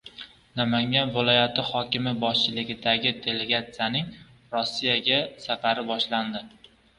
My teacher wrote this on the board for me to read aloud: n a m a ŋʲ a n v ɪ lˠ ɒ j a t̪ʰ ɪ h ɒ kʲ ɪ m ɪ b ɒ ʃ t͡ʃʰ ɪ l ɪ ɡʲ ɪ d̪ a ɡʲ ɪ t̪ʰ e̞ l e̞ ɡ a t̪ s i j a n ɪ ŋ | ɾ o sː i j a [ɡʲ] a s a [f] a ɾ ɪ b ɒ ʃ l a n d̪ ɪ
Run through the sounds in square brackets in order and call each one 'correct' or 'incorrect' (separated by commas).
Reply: correct, correct